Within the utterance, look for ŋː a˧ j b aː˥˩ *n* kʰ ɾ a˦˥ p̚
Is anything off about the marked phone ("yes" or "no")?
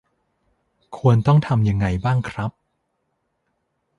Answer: yes